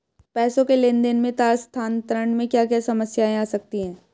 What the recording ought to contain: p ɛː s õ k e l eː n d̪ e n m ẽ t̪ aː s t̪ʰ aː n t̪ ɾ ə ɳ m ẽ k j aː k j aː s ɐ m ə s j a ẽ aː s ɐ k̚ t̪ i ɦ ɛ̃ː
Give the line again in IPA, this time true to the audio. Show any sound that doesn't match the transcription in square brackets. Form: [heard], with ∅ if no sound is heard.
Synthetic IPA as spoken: p ɛː s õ k e l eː n d̪ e n m ẽ t̪ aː s t̪ʰ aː n t̪ ɾ ə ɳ m ẽ k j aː k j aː s ɐ m ə s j a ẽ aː s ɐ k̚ t̪ i ɦ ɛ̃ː

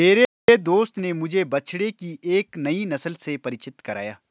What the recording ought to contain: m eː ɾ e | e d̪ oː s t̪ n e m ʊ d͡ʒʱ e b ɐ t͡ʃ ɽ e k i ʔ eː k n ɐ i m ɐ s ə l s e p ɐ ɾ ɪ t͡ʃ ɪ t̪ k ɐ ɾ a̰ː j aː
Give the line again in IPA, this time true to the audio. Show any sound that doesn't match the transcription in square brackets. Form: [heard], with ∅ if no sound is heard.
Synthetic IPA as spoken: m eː ɾ e | e d̪ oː s t̪ n e m ʊ d͡ʒʱ e b ɐ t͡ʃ ɽ e k i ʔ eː k n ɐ i [n] ɐ s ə l s e p ɐ ɾ ɪ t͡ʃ ɪ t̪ k ɐ ɾ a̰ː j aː

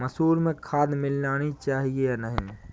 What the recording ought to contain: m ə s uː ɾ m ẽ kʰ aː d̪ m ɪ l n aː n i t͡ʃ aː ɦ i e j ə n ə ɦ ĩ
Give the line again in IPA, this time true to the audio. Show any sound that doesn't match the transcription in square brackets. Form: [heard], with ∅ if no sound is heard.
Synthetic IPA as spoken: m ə s uː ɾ m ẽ kʰ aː d̪ m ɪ l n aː n i t͡ʃ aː ɦ i e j [a] n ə ɦ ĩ

